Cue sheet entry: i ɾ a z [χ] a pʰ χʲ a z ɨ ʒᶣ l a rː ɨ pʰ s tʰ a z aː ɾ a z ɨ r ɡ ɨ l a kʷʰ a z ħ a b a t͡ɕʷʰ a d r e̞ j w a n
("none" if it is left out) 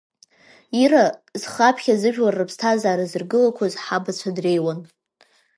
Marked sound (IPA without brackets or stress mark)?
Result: χ